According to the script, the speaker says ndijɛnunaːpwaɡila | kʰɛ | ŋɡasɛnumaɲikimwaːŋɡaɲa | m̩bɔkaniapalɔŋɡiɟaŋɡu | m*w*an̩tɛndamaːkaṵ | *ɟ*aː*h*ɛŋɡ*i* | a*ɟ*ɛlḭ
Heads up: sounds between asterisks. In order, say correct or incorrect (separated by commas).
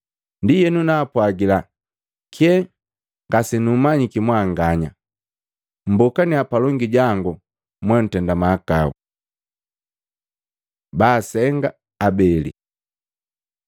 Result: correct, incorrect, incorrect, incorrect, incorrect